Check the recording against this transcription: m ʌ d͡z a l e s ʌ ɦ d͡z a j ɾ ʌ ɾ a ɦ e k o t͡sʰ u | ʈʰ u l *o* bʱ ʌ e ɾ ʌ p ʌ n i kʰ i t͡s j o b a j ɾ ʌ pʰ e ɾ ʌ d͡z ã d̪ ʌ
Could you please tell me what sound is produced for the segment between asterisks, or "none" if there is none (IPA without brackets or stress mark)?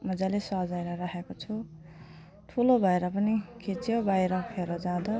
o